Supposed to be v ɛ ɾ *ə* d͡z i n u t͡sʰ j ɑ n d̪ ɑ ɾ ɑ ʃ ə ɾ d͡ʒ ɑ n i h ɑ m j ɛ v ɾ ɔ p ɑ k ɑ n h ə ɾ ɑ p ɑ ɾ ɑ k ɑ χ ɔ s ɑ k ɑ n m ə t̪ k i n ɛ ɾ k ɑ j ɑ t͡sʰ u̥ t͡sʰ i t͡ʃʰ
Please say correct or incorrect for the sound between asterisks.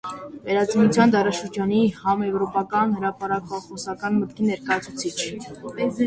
incorrect